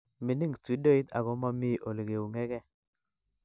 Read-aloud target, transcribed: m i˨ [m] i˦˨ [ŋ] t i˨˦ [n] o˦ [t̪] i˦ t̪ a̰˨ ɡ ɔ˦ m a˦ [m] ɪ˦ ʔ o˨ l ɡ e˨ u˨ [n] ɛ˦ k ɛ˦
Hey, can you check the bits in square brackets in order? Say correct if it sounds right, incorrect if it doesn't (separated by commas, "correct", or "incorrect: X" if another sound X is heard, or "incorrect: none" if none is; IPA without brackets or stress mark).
incorrect: n, correct, incorrect: d, incorrect: none, correct, incorrect: ŋ